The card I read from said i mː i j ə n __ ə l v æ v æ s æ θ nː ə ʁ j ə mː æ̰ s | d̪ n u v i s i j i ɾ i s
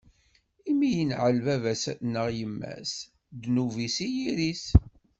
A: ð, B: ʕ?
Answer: B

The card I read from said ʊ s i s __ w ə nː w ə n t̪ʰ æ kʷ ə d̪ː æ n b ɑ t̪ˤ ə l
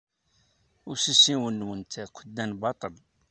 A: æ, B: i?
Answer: B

